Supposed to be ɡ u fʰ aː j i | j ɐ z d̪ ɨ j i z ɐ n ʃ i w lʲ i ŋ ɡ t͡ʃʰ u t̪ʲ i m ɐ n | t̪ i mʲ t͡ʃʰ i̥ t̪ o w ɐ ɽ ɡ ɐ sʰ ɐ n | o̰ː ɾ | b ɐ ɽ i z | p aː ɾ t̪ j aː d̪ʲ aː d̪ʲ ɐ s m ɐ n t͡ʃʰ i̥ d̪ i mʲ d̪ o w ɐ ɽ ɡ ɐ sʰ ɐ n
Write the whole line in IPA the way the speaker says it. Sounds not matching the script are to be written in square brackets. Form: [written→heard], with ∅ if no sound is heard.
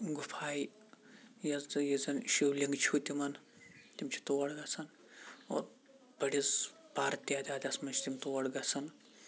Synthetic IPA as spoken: ɡ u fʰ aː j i | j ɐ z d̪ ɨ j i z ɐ n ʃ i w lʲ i ŋ ɡ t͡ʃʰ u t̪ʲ i m ɐ n | t̪ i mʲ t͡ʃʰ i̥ t̪ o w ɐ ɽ ɡ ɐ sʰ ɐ n | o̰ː ɾ | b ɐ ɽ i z | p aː ɾ t̪ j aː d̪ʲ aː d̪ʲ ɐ s m ɐ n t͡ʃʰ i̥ [d̪→t̪] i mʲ [d̪→t̪] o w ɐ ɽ ɡ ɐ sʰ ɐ n